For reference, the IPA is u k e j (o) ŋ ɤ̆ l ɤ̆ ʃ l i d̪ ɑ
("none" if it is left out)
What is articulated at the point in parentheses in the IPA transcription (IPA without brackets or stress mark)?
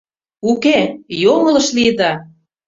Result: o